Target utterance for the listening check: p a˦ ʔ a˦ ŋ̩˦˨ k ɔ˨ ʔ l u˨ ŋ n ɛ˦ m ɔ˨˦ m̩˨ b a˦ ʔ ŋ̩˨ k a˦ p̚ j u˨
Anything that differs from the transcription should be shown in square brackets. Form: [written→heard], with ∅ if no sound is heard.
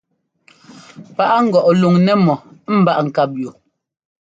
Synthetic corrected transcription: p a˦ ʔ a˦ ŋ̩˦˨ [k→ɡ] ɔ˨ ʔ l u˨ ŋ n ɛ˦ m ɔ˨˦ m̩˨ b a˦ ʔ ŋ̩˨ k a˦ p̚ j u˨